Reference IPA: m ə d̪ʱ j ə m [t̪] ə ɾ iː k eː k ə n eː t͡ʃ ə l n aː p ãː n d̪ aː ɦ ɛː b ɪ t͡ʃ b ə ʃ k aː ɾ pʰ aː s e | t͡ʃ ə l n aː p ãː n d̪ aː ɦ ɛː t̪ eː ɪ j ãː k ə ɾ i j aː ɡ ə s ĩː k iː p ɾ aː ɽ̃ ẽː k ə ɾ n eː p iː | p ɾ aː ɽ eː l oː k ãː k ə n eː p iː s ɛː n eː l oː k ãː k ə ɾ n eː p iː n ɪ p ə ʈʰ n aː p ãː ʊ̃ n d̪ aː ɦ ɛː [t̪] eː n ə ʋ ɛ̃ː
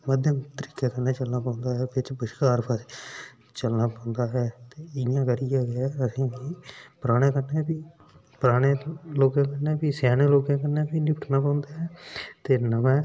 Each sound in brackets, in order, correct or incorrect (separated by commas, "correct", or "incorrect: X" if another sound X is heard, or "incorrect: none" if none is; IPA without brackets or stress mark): correct, correct